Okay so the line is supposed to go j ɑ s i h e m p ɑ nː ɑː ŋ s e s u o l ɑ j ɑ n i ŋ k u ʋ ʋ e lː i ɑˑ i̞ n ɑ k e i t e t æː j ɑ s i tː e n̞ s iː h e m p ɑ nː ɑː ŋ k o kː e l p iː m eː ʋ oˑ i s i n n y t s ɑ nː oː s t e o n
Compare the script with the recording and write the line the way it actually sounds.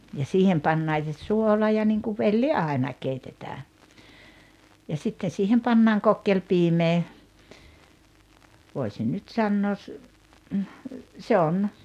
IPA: j ɑ s iː h e m p ɑ nː ɑː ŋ s e s u o l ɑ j ɑ n i ŋ k u ʋ ʋ e lː i ɑˑ i̞ n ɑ k e i t e t æː j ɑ s i tː e n̞ s iː h e m p ɑ nː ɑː ŋ k o kː e l p iː m eː ʋ oˑ i s i n n y t s ɑ nː oː s s e o n